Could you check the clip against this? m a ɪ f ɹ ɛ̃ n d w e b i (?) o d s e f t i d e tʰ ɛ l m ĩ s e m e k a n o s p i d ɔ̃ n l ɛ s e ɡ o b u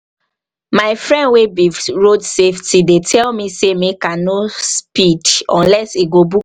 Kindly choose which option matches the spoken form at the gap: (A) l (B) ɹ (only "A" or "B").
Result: B